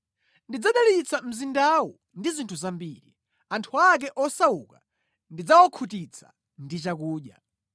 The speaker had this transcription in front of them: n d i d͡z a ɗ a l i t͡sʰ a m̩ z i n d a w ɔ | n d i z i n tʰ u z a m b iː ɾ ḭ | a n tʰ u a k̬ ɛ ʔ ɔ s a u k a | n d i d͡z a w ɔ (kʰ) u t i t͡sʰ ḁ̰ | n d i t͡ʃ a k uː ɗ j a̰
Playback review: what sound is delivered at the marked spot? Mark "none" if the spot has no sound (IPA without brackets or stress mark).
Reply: kʰ